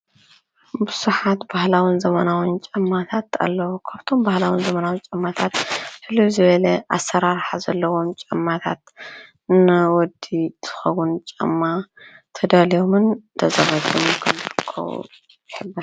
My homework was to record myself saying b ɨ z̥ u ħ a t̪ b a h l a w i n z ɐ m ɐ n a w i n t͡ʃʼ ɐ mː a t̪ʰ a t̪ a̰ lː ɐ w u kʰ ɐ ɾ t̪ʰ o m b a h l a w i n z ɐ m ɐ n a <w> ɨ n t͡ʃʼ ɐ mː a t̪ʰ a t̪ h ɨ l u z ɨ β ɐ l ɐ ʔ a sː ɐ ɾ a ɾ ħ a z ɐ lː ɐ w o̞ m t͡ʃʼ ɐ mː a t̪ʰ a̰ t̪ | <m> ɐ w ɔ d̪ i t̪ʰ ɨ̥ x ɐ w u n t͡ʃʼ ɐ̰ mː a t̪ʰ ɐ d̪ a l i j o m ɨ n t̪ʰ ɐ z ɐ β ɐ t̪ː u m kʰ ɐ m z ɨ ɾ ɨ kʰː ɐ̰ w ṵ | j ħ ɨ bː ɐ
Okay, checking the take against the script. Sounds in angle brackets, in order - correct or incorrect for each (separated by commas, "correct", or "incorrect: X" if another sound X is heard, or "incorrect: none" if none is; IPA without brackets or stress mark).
correct, incorrect: n